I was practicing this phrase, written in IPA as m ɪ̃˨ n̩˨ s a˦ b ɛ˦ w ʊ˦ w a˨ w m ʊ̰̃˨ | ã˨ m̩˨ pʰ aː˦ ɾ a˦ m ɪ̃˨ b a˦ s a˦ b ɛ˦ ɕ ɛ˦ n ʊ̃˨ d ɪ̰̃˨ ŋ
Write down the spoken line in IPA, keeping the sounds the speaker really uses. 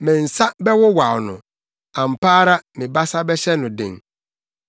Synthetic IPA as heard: m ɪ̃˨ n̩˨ s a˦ b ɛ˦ w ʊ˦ w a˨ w n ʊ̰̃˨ | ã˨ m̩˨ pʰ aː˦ ɾ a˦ m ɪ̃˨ b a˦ s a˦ b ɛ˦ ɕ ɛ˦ n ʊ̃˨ d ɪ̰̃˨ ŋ